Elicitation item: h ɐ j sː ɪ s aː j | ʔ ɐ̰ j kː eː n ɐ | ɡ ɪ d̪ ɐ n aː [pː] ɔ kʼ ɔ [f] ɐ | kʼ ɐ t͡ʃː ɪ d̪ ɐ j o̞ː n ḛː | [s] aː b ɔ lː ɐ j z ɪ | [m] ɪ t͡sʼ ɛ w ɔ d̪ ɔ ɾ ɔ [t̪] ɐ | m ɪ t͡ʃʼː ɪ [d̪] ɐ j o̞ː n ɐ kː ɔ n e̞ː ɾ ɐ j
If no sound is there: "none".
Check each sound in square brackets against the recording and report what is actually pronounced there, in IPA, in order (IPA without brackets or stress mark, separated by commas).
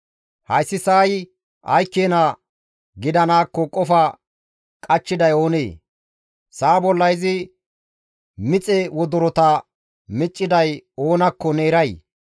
kː, f, s, m, t̪, d̪